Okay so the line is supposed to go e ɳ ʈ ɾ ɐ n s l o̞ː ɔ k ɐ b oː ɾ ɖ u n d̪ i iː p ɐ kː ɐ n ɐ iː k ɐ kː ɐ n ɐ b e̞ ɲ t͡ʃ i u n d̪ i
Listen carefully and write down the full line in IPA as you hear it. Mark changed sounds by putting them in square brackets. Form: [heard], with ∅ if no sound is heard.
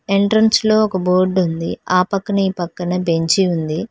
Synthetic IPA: e ɳ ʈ ɾ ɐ n s l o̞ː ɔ k ɐ b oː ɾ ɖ u n d̪ i [aː] p ɐ kː ɐ n ɐ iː [p] ɐ kː ɐ n ɐ b e̞ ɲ t͡ʃ i u n d̪ i